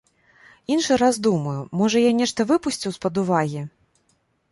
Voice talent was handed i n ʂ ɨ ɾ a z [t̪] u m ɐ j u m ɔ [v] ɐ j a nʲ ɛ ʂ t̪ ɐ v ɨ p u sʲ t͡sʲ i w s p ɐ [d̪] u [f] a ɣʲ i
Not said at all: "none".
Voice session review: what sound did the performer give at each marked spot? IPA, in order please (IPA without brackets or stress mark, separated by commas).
d̪, ʐ, d̪, v